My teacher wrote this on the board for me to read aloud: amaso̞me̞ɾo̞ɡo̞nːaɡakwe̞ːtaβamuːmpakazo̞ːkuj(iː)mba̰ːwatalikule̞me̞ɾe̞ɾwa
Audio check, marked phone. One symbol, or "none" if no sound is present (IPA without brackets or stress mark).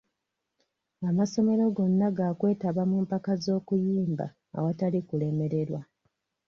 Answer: iː